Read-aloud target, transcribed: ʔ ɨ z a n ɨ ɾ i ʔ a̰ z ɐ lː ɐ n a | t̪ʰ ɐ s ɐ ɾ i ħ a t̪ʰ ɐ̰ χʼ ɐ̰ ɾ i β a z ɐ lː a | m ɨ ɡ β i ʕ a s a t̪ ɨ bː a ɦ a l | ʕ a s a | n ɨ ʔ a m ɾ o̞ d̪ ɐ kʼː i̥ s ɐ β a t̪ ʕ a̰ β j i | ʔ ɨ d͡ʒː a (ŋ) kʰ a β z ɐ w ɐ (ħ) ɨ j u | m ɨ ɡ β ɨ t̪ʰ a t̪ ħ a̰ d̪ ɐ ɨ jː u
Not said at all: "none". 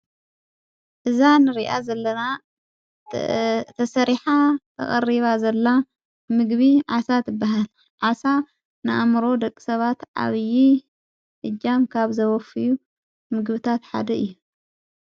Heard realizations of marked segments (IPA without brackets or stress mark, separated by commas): m, f